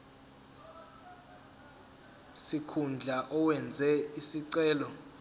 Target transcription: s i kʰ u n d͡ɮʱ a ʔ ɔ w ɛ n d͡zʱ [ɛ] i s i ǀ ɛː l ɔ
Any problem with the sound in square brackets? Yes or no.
no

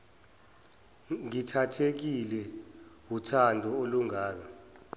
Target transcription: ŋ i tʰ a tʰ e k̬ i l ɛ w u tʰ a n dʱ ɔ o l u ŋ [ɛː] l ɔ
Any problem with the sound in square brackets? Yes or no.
yes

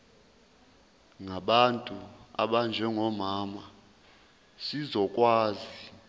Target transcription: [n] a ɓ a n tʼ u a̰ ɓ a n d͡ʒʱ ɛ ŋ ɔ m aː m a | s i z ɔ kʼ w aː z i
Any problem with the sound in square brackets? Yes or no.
yes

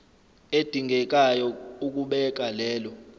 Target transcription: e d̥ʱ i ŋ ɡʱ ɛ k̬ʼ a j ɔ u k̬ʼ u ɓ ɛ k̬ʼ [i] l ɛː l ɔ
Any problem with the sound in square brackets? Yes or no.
yes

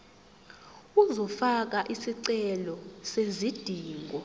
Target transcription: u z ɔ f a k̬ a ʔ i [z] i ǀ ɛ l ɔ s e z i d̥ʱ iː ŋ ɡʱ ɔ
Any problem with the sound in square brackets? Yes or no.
yes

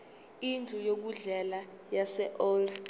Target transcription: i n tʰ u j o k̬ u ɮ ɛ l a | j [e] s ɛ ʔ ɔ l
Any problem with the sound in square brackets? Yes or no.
yes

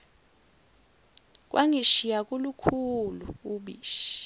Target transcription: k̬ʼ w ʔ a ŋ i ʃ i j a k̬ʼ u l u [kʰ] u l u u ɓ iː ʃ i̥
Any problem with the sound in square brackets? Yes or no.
no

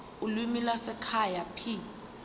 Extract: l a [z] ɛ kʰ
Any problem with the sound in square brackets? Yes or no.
yes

